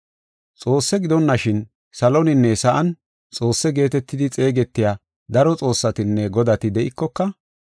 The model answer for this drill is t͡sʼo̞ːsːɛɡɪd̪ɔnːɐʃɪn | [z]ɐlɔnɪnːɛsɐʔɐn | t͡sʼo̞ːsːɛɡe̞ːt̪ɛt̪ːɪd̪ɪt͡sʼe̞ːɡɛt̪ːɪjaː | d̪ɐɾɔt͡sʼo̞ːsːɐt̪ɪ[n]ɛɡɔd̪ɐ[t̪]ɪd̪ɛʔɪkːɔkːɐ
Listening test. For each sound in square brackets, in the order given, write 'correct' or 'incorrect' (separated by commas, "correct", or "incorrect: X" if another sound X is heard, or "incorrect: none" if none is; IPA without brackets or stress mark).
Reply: incorrect: s, incorrect: nː, correct